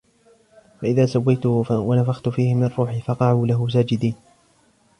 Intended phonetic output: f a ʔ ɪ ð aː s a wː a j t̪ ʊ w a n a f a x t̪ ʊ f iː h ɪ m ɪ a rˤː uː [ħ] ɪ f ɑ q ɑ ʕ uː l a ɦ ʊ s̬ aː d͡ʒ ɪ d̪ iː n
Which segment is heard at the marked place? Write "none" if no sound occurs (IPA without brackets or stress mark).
ħ